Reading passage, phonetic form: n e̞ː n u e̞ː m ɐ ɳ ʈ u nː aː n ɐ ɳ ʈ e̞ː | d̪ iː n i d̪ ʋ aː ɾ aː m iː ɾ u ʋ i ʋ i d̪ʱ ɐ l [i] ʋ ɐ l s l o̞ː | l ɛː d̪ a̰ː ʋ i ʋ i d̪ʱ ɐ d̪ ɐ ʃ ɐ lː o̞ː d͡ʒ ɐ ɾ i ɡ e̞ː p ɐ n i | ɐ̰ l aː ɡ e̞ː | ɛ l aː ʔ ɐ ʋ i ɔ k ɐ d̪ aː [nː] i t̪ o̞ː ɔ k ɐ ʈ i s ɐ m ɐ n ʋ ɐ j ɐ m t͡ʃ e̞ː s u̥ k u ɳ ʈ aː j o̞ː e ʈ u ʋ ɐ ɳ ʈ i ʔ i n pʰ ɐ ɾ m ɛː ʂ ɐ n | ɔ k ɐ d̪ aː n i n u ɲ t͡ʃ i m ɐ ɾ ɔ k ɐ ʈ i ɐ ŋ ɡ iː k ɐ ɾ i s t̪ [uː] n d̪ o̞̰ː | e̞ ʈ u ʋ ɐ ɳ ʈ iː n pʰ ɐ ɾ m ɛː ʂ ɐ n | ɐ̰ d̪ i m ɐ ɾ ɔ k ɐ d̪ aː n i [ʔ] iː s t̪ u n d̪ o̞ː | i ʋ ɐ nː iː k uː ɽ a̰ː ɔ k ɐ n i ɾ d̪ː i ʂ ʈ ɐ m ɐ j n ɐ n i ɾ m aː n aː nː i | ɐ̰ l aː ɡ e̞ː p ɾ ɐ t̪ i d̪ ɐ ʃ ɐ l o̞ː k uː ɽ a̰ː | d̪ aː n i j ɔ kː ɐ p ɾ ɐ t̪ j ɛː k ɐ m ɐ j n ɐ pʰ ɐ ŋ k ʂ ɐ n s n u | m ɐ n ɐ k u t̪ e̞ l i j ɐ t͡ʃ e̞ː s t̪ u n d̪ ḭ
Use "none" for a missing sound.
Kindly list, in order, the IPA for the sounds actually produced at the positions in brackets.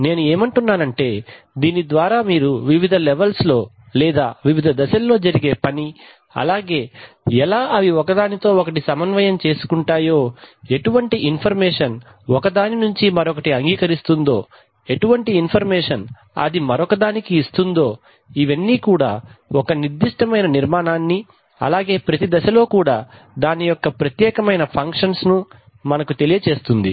ɛ, n, u, k

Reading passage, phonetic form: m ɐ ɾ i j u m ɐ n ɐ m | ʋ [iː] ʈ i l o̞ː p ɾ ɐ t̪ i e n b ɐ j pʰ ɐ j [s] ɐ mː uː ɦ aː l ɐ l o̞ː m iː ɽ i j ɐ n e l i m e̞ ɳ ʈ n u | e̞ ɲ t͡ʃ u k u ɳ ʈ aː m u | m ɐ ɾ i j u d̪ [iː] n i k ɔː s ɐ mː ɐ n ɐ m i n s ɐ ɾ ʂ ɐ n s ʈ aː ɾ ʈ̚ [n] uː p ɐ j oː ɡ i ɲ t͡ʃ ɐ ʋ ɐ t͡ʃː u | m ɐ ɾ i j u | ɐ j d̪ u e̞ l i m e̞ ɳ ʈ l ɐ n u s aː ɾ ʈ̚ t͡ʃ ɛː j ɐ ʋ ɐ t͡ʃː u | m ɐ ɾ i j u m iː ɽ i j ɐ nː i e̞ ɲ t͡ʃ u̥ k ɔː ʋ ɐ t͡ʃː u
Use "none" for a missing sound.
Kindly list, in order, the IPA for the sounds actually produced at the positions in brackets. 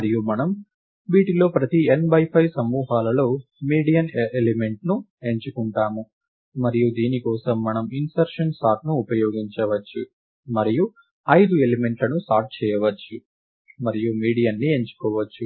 iː, s, iː, n

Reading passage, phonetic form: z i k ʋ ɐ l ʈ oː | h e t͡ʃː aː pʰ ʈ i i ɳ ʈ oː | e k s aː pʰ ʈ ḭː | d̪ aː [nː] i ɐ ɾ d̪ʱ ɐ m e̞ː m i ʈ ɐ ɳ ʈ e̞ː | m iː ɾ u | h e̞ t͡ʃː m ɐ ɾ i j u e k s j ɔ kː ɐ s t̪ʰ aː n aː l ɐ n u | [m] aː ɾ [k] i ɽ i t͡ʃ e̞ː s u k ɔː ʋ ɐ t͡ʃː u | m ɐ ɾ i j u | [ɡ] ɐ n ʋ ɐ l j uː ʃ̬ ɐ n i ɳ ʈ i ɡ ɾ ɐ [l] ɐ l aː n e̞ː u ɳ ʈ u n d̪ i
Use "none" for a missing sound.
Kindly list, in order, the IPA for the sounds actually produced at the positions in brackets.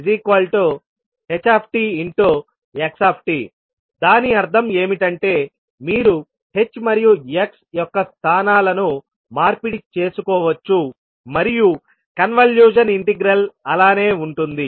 n, m, p, k, l

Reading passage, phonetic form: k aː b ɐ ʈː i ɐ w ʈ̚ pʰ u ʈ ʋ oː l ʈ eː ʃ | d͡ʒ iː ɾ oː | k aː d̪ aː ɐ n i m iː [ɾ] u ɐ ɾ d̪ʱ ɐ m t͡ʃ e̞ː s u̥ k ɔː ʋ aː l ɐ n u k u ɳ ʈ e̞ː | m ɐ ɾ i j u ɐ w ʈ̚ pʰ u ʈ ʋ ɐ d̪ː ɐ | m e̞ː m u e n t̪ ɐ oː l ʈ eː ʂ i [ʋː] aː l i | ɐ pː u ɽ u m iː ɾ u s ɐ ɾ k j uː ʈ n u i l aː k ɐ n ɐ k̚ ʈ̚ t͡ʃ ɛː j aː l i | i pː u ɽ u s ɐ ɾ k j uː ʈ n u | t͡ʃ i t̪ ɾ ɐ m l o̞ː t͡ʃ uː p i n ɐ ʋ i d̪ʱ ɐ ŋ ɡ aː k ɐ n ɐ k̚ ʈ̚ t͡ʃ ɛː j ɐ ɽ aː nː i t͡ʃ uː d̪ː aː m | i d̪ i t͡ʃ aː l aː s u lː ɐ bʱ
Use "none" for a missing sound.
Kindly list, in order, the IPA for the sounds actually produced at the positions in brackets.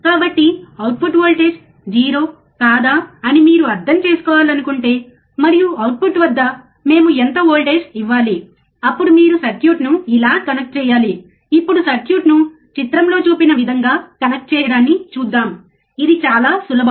ɾ, ʋː

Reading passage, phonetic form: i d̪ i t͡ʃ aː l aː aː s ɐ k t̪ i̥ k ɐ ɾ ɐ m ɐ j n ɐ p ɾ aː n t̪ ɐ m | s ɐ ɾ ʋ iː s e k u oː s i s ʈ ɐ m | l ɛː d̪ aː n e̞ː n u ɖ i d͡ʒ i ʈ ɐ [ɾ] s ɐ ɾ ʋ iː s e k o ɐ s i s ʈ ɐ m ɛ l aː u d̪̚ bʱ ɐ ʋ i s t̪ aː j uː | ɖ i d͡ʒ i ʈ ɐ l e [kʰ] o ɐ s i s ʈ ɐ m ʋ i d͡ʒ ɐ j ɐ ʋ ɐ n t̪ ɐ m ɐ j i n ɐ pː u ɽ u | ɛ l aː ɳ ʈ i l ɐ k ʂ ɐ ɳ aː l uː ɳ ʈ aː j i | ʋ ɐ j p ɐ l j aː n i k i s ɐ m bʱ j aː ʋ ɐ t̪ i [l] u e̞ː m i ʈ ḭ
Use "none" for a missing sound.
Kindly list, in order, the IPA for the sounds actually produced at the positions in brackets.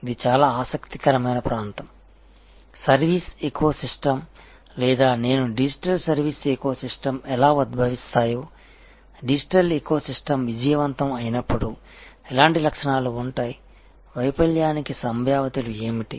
l, k, l

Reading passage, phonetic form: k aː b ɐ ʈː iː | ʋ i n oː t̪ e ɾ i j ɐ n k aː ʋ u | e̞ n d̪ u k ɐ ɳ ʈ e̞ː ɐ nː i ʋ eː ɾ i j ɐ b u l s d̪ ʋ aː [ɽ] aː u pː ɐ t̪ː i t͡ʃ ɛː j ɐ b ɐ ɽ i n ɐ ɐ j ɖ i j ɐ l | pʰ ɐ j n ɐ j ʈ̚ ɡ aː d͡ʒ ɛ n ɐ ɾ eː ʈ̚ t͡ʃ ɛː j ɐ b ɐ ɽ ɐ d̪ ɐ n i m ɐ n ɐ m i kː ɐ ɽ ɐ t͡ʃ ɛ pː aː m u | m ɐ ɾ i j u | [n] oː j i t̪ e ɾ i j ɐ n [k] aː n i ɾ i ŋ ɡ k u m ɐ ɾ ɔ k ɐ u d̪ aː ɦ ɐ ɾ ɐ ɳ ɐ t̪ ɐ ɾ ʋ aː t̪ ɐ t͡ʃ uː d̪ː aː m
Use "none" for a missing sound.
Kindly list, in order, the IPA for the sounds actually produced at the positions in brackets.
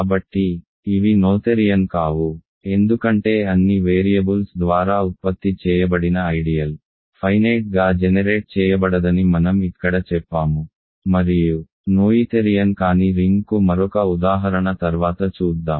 ɾ, n, k

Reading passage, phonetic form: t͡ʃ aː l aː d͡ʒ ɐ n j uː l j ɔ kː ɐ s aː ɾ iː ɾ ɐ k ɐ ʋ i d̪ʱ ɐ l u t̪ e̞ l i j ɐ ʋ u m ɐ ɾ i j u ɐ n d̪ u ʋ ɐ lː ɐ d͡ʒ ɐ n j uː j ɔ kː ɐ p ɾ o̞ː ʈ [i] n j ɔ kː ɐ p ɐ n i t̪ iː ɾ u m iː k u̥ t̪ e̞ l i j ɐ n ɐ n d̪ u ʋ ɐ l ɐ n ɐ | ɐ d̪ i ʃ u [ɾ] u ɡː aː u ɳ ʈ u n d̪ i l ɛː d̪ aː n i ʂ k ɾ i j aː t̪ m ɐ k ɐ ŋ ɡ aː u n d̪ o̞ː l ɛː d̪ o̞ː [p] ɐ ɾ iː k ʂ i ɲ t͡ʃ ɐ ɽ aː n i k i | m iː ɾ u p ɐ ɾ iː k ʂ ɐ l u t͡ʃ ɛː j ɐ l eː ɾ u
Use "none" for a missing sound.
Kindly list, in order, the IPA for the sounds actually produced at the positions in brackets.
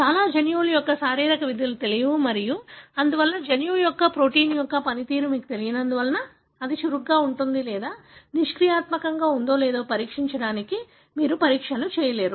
iː, ɾ, p

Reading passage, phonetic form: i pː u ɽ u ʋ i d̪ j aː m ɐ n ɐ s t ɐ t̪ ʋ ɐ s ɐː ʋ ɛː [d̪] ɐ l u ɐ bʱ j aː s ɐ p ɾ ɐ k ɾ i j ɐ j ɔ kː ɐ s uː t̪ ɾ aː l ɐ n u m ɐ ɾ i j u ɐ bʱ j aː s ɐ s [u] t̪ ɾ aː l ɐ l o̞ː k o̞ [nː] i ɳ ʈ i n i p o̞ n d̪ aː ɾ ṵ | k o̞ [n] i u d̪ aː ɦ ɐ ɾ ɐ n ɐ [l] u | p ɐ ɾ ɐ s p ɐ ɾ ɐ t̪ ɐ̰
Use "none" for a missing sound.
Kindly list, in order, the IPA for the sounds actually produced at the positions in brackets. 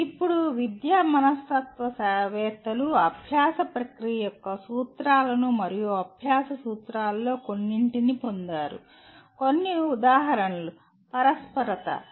t̪, uː, nː, nː, l

